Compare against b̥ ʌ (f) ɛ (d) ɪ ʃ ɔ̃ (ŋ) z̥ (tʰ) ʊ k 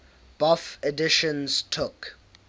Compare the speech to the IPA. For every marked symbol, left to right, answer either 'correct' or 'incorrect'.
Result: correct, correct, incorrect: n, correct

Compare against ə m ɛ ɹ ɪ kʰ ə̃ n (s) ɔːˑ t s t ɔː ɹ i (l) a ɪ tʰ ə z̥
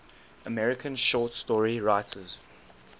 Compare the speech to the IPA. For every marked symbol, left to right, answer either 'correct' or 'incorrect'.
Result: incorrect: ʃ, incorrect: ɹ

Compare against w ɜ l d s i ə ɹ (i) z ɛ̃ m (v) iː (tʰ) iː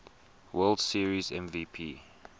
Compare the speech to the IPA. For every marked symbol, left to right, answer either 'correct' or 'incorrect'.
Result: correct, correct, incorrect: pʰ

